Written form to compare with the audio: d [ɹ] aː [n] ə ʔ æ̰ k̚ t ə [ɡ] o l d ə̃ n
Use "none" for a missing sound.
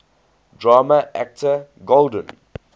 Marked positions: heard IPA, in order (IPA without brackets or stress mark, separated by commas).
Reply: ɹ, m, ɡ